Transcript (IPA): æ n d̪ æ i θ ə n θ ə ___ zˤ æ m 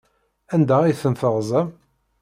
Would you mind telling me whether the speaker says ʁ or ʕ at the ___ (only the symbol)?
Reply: ʁ